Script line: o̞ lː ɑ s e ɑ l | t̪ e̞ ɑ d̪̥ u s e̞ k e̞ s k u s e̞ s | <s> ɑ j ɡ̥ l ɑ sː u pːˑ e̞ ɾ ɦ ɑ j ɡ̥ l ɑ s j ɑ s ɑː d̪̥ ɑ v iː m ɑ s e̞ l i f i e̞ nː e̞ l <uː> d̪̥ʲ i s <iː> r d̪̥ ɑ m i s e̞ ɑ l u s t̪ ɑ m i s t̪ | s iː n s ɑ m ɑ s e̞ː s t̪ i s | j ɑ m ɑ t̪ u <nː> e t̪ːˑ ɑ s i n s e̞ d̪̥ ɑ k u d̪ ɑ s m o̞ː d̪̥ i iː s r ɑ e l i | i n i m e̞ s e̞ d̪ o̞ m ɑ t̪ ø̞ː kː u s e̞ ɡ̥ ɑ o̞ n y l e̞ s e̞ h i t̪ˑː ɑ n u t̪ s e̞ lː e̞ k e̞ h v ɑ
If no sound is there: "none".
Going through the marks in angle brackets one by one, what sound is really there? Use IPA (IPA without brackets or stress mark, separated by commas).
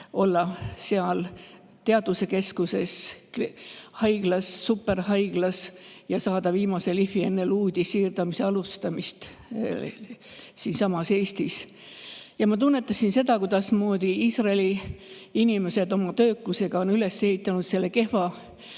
h, uː, iː, nː